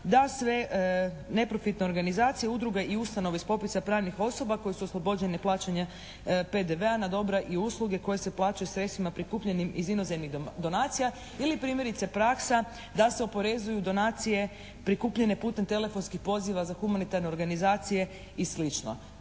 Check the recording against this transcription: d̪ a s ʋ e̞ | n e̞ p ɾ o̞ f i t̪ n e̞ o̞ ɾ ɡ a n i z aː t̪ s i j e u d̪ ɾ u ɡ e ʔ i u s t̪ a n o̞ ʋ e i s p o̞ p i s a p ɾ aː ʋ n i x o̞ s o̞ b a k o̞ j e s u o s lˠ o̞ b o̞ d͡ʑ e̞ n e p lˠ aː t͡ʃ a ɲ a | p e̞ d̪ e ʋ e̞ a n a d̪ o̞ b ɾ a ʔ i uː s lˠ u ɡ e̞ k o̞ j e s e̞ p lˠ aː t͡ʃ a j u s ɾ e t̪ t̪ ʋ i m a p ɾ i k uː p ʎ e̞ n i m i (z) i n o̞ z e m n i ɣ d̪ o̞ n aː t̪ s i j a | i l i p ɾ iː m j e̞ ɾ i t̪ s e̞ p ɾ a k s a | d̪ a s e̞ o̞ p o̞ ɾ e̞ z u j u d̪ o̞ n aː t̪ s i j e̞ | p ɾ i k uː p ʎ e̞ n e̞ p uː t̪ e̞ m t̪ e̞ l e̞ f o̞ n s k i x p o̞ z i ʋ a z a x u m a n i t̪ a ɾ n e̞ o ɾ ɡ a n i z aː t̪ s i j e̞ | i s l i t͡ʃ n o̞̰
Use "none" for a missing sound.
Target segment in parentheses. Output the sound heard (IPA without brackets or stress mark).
z